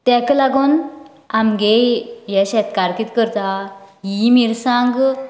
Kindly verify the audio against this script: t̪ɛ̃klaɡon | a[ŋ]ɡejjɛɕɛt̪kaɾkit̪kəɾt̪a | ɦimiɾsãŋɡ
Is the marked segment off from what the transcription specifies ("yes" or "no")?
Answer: yes